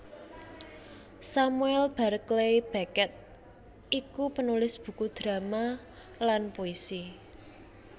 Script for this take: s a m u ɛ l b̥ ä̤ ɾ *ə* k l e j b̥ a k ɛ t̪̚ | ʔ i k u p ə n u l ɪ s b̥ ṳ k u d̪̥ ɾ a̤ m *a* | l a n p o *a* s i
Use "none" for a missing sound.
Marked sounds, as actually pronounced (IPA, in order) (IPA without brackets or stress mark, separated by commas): ə, a, i